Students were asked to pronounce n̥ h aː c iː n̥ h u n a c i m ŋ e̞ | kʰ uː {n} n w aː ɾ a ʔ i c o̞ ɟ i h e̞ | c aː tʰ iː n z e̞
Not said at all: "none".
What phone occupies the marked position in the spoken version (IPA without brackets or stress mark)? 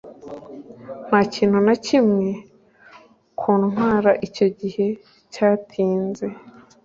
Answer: n